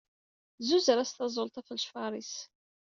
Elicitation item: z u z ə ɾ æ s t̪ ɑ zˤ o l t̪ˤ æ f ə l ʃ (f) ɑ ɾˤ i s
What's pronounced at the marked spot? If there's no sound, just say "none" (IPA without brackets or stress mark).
f